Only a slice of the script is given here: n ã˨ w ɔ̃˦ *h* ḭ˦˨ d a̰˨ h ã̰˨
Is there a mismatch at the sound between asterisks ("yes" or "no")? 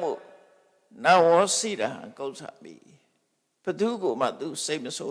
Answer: yes